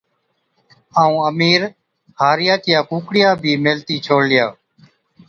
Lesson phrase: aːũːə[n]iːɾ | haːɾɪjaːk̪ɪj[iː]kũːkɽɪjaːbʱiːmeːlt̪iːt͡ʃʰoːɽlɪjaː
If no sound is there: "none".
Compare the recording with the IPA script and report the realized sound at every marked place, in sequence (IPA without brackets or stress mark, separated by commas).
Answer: m, aː